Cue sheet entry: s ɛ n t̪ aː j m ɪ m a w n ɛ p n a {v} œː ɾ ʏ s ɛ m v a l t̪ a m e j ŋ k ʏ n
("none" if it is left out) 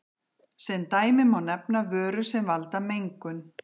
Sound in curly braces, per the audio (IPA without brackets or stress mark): v